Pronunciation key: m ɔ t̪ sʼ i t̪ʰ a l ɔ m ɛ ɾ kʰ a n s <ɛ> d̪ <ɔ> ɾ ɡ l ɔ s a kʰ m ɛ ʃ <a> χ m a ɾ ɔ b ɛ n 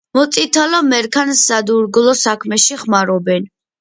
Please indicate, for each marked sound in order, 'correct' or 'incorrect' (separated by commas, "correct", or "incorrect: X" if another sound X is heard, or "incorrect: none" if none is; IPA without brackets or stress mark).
incorrect: a, incorrect: u, incorrect: i